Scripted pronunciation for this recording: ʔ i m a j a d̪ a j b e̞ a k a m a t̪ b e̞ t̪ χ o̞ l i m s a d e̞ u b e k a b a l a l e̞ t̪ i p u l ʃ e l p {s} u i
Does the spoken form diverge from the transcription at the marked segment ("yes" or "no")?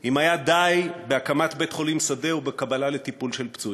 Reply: yes